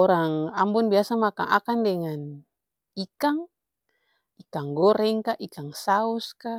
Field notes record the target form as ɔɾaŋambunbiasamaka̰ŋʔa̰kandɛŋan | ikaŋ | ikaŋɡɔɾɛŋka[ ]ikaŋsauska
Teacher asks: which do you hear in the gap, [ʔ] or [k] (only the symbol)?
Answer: ʔ